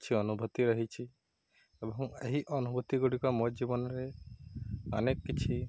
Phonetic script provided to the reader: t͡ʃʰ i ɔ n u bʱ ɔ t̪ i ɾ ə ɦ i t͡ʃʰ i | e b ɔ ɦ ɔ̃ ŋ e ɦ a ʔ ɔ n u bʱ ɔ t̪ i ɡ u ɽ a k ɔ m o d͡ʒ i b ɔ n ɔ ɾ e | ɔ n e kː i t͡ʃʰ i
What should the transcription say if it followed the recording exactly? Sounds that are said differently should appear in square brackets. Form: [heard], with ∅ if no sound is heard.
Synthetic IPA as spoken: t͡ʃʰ i ɔ n u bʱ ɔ t̪ i ɾ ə ɦ i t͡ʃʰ i | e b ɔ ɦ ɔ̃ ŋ e ɦ [i] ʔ ɔ n u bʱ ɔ t̪ i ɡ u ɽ [i] k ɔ m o d͡ʒ i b ɔ n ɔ ɾ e | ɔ n e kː i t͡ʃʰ i

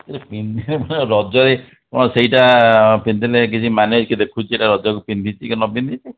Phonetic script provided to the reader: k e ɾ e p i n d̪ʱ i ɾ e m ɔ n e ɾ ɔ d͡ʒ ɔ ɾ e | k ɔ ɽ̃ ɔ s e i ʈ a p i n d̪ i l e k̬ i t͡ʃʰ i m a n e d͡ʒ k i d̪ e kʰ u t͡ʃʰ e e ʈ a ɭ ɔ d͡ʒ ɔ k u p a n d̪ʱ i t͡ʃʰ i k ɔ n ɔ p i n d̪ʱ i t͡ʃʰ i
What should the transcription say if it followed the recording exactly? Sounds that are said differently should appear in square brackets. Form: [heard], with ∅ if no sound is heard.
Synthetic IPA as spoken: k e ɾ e p i n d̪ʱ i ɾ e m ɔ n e ɾ ɔ d͡ʒ ɔ ɾ e | k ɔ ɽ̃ ɔ s e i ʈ a p i n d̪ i l e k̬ i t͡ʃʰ i m a n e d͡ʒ k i d̪ e kʰ u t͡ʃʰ [i] e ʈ a [ɾ] ɔ d͡ʒ ɔ k u p [i] n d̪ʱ i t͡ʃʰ i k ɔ n ɔ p i n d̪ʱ i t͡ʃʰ i

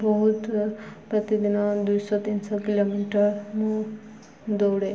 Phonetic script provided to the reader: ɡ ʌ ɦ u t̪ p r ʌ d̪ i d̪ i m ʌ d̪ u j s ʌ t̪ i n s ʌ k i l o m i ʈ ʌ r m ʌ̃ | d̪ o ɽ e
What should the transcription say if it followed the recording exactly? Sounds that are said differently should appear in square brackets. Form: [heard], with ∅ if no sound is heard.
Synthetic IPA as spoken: [b] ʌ ɦ u t̪ p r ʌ [t̪] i d̪ i [n] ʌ d̪ u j s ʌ t̪ i n s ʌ k i l o m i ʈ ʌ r m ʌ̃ | d̪ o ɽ e

